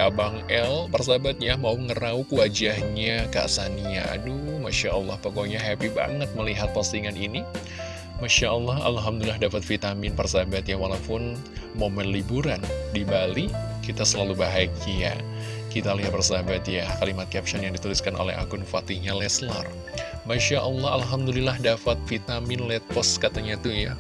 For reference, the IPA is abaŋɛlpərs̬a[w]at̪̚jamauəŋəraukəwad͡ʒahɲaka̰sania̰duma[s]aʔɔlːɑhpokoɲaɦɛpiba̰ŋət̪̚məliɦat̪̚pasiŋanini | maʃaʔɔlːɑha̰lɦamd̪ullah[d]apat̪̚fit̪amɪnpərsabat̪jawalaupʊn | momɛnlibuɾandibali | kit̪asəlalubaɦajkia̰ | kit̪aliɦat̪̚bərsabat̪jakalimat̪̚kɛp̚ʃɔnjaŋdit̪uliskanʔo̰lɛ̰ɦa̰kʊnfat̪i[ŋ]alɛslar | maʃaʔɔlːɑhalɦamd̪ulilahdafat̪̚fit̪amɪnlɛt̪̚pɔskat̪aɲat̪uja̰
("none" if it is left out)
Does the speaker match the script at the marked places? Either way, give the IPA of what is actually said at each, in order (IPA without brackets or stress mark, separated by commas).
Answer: b, ʃ, d, ɲ